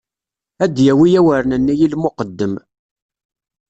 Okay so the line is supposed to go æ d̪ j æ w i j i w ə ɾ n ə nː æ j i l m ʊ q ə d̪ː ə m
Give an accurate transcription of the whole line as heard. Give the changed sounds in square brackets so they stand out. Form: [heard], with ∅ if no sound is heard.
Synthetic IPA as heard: æ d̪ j æ w i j [æ] w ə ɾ n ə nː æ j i l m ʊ q ə d̪ː ə m